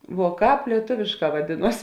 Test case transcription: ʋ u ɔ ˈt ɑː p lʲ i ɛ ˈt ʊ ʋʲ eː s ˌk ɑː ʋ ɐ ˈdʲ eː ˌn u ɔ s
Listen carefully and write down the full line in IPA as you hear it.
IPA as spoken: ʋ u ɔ ˈk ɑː p lʲ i ɛ ˈt ʊ ʋʲ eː ʃ ˌk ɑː ʋ ɐ ˈdʲ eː ˌn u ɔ s